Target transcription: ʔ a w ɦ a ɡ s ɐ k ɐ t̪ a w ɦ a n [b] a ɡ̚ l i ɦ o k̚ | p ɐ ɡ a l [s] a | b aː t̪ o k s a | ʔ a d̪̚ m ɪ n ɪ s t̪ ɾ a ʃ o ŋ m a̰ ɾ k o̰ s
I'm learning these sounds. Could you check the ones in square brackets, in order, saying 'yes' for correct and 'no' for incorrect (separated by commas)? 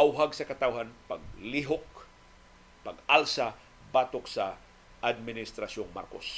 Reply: no, yes